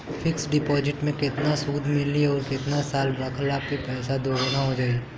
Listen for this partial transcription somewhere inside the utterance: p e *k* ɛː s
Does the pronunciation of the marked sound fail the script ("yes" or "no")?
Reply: yes